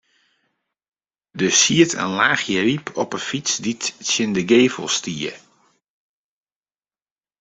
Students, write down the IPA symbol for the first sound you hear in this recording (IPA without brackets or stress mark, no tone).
d